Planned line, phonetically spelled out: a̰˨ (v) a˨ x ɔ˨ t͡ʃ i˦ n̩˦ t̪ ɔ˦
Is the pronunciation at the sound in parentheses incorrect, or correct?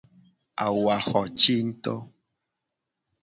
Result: incorrect: w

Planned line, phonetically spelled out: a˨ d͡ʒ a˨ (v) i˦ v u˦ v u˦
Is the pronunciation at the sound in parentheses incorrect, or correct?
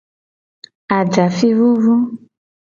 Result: incorrect: f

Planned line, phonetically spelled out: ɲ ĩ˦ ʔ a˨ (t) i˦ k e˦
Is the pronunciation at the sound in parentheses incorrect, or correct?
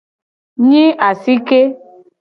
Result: incorrect: s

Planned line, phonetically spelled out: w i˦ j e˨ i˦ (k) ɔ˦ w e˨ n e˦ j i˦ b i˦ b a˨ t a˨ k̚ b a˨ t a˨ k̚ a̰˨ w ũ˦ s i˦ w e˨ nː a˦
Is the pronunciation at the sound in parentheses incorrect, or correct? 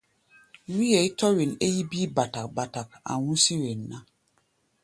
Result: incorrect: t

